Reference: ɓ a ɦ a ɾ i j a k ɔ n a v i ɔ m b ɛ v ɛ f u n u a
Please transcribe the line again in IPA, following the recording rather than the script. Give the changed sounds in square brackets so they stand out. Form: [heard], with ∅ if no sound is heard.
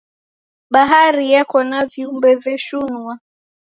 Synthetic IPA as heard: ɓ a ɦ a ɾ i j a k ɔ n a v i [u] m b ɛ v ɛ [ʃ] u n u a